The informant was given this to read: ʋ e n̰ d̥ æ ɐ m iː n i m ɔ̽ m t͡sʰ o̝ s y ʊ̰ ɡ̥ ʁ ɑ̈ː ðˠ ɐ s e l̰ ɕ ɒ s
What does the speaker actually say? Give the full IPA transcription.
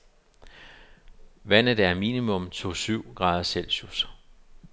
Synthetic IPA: ʋ æ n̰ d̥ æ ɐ m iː n i m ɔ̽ m t͡sʰ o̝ s y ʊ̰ ɡ̥ ʁ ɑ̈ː ðˠ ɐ s e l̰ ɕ u s

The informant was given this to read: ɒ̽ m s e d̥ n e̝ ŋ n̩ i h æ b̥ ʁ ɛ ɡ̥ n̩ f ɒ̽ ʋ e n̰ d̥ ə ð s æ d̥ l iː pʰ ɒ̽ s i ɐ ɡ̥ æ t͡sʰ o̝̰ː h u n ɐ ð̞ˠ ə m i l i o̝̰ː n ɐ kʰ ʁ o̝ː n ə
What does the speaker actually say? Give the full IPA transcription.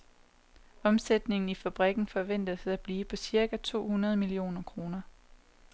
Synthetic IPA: ɒ̽ m s e d̥ n e̝ ŋ n̩ i f æ b̥ ʁ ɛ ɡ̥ n̩ f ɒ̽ ʋ e n̰ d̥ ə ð s æ b̥ l iː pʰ ɒ̽ s i ɐ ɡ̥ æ t͡sʰ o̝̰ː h u n ɐ ð̞ˠ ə m i l i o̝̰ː n ɐ kʰ ʁ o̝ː n ɐ

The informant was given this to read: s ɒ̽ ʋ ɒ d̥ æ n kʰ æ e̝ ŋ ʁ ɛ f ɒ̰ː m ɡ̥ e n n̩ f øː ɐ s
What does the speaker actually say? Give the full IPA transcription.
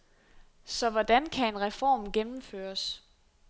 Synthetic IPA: s ɒ̽ ʋ ɒ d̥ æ n kʰ æ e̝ n ʁ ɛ f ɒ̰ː m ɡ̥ e n m̩ f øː ɐ s

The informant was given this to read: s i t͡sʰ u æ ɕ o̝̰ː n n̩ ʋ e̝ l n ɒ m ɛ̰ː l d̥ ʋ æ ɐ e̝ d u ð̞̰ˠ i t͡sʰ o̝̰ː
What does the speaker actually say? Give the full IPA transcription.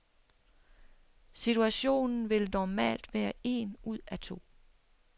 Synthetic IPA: s i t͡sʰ u æ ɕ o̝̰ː n n̩ ʋ e̝ l n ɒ m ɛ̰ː l d̥ ʋ æː ɐ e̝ n u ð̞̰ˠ æ t͡sʰ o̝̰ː

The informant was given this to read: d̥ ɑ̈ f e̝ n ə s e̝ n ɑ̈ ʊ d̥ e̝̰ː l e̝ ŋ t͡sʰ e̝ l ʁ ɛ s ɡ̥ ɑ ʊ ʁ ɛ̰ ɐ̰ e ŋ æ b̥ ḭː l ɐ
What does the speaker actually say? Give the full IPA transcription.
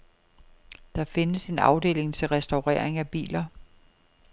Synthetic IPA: d̥ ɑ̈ f e̝ n ə s e̝ n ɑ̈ ʊ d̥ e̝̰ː l e̝ ŋ t͡sʰ e̝ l ʁ ɛ s d̥ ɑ ʊ ʁ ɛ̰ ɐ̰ e ŋ æ b̥ ḭː l ɐ

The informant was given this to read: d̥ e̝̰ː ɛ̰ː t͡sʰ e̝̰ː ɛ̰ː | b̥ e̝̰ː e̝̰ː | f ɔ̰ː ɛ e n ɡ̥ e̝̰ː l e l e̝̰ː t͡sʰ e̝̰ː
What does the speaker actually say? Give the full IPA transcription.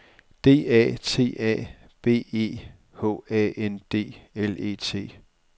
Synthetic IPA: d̥ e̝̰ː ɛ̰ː t͡sʰ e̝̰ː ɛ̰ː | b̥ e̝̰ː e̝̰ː | h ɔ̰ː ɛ e n d̥ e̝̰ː e l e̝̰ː t͡sʰ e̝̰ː

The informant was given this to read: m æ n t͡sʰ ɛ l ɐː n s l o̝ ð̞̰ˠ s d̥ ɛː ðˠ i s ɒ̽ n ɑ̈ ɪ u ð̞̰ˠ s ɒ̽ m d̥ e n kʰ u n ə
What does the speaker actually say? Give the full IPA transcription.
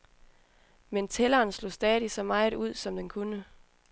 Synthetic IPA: m e n t͡sʰ e l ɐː n s l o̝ s d̥ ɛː ðˠ i s ɒ̽ m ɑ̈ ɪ u ð̞̰ˠ s ɒ̽ m d̥ e n kʰ u n ə

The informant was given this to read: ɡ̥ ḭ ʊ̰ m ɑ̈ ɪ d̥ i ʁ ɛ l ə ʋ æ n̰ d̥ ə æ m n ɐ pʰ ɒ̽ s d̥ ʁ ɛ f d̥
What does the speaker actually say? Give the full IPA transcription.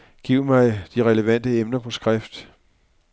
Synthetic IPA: ɡ̥ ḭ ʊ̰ m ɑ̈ ɪ d̥ i ʁ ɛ l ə ʋ æ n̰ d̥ ə e m n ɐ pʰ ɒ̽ s ɡ̥ ʁ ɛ f d̥

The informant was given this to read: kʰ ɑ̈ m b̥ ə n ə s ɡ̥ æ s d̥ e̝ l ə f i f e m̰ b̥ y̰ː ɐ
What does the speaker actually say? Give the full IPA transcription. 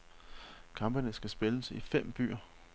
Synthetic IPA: kʰ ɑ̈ m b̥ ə n ə s ɡ̥ æ s b̥ e̝ l ə s i f e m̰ b̥ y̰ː ɐ

